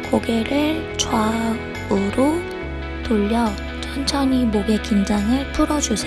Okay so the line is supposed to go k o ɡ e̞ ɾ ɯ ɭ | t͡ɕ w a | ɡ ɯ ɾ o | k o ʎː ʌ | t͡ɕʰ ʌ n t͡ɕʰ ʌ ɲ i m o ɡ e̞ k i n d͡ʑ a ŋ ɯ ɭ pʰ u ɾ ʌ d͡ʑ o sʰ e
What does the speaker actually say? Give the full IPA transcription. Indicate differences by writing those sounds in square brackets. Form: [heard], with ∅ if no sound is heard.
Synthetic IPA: k o ɡ e̞ ɾ ɯ ɭ | t͡ɕ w a | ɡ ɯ ɾ o | [t] o ʎː ʌ | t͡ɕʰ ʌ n t͡ɕʰ ʌ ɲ i m o ɡ e̞ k i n d͡ʑ a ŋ ɯ ɭ pʰ u ɾ ʌ d͡ʑ [u] sʰ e

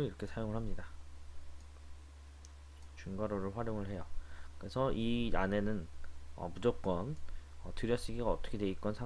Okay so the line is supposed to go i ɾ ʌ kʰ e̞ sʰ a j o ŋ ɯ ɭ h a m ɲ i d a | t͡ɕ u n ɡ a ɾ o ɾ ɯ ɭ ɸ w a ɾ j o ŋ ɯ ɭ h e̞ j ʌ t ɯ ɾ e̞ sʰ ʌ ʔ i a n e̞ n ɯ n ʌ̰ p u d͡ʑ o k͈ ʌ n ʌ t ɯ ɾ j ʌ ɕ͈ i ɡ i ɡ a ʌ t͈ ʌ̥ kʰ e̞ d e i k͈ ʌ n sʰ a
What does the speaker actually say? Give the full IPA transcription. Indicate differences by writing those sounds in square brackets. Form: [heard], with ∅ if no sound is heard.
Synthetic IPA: i ɾ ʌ kʰ e̞ sʰ a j o ŋ ɯ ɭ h a m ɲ i d a | t͡ɕ u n ɡ a ɾ o ɾ ɯ ɭ ɸ w a ɾ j o ŋ ɯ ɭ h e̞ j ʌ [k] ɯ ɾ e̞ sʰ ʌ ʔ i a n e̞ n ɯ n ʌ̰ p u d͡ʑ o k͈ ʌ n ʌ t ɯ ɾ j ʌ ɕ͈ i ɡ i ɡ a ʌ t͈ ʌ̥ kʰ e̞ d e i k͈ ʌ n sʰ a

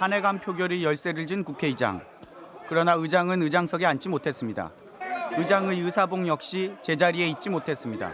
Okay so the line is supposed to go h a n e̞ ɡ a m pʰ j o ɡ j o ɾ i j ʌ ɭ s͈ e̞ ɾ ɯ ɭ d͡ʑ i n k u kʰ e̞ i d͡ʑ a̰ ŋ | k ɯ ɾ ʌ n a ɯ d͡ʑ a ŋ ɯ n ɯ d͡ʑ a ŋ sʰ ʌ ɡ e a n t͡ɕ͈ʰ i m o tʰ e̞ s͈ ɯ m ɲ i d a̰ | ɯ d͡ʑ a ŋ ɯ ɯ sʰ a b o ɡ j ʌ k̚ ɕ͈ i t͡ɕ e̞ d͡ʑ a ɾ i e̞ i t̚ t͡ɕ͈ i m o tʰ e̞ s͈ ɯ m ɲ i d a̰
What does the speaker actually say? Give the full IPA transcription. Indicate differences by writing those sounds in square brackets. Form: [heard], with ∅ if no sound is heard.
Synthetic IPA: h a n e̞ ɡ a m pʰ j o ɡ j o ɾ i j ʌ ɭ s͈ e̞ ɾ ɯ ɭ d͡ʑ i n k u kʰ e̞ i d͡ʑ a̰ ŋ | k ɯ ɾ ʌ n a ɯ d͡ʑ a ŋ ɯ n ɯ d͡ʑ a ŋ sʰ ʌ ɡ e a n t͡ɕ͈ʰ i m o tʰ e̞ s͈ ɯ m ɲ i d a̰ | ɯ d͡ʑ a ŋ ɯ ɯ sʰ a b o [ŋ] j ʌ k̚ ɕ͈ i t͡ɕ e̞ d͡ʑ a ɾ i e̞ i t̚ t͡ɕ͈ i m o tʰ e̞ s͈ ɯ m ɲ i d a̰

